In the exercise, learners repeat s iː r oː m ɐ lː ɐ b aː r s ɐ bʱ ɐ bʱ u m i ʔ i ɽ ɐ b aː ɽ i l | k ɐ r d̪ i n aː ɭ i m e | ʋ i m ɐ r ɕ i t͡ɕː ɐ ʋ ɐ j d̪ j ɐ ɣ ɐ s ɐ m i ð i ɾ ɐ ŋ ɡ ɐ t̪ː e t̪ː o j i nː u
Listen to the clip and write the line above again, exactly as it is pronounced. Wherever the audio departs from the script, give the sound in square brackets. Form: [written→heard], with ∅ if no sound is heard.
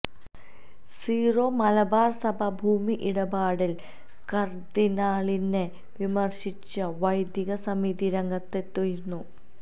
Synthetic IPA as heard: s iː r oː m ɐ [lː→l] ɐ b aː r s ɐ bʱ ɐ bʱ [u→uː] m i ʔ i ɽ ɐ b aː ɽ i l | k ɐ r d̪ i n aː ɭ i [m→n] e | ʋ i m ɐ r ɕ i t͡ɕː ɐ ʋ ɐ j d̪ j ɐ ɣ ɐ s ɐ m i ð i ɾ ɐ ŋ ɡ ɐ t̪ː e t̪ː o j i nː u